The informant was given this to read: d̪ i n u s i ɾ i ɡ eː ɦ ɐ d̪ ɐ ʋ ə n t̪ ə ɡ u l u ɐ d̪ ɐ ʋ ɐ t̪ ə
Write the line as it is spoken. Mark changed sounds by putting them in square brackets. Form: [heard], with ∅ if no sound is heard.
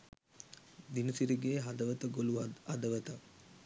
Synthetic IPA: d̪ i n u s i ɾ i ɡ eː ɦ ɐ d̪ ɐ ʋ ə [∅] t̪ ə ɡ [o] l u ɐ d̪ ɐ ʋ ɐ t̪ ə